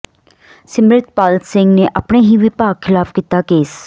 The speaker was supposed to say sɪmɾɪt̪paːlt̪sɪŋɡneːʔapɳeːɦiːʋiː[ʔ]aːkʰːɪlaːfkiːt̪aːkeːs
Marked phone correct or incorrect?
incorrect